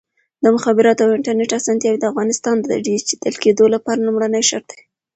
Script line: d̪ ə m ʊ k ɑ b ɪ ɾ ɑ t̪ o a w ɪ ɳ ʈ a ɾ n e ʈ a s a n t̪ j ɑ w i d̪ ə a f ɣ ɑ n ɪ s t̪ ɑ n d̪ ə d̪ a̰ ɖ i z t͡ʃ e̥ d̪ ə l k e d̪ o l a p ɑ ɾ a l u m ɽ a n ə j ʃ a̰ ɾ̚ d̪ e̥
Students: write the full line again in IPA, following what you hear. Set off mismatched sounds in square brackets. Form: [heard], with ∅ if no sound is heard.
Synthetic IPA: d̪ ə m ʊ [x] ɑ b ɪ ɾ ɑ t̪ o a w ɪ ɳ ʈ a ɾ n e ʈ a s [ɑ] n t̪ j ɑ w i d̪ ə a f ɣ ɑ n ɪ s t̪ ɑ n d̪ ə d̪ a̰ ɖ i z t͡ʃ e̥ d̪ ə l k e d̪ o l a p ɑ ɾ a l u m ɽ a n ə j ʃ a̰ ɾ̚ d̪ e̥